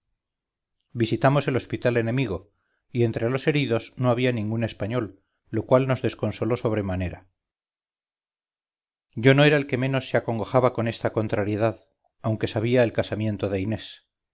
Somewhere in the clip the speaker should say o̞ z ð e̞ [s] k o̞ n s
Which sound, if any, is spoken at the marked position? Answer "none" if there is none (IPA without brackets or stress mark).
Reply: s